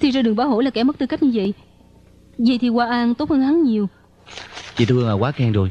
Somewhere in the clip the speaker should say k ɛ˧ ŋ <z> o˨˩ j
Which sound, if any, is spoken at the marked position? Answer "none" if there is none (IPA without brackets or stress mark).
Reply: z